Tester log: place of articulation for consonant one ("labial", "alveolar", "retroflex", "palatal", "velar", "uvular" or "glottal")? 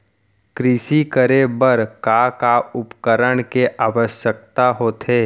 velar